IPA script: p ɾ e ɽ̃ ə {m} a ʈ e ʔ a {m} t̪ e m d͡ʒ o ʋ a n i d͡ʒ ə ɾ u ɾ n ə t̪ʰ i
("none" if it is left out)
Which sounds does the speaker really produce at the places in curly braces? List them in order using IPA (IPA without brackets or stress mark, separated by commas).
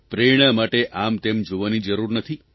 m, m